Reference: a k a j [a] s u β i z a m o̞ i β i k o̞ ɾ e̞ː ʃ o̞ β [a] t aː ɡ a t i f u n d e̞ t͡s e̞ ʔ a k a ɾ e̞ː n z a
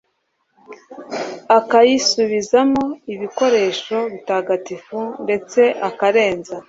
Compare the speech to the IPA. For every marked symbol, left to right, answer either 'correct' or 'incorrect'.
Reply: incorrect, incorrect

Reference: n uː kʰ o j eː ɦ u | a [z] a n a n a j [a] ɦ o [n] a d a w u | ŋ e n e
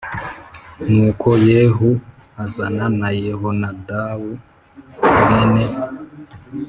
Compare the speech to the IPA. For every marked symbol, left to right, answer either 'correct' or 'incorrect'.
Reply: correct, incorrect, correct

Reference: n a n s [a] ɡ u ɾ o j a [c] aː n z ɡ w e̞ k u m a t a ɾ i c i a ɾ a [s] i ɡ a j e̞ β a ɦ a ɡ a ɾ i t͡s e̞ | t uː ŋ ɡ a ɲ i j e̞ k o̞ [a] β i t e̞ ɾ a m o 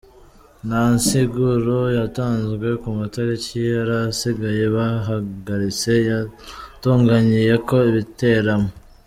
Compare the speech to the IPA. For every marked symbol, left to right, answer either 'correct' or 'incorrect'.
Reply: incorrect, incorrect, correct, incorrect

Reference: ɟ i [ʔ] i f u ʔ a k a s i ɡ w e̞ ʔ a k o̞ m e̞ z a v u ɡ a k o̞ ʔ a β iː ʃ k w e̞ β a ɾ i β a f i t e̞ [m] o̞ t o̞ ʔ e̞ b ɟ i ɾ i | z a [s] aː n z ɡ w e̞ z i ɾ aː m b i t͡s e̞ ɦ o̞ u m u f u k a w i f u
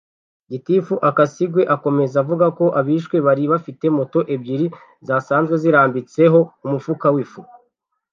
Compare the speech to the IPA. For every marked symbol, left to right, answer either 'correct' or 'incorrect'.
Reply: incorrect, correct, correct

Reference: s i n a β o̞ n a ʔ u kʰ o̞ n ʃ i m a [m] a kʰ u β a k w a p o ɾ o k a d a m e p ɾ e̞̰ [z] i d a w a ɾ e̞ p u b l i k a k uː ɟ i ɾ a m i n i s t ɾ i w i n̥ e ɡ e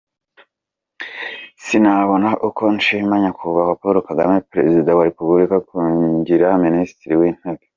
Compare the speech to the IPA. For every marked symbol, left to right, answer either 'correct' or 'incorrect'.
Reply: incorrect, correct

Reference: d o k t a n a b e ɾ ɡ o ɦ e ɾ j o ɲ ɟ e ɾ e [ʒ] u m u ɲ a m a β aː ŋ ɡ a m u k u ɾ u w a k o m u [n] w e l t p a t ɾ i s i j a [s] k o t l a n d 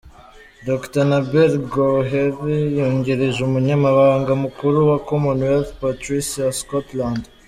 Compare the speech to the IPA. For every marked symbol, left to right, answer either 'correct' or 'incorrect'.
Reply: correct, correct, correct

